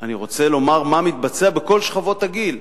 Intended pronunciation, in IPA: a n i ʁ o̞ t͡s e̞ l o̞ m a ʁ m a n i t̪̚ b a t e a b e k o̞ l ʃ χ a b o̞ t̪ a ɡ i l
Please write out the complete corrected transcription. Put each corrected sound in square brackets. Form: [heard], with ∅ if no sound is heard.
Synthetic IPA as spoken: a n i ʁ o̞ t͡s e̞ l o̞ m a ʁ m a [m] i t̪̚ b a [t͡s] e a b e k o̞ l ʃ χ a [v] o̞ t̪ a ɡ i l